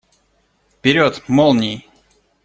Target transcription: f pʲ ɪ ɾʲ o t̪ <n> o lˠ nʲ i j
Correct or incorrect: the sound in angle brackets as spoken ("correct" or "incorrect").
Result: incorrect